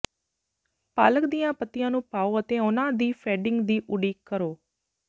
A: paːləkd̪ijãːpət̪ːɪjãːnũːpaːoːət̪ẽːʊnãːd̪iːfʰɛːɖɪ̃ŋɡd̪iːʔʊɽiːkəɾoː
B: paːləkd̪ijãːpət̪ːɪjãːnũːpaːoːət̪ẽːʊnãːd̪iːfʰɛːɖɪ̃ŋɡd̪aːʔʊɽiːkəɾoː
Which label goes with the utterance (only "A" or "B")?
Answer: A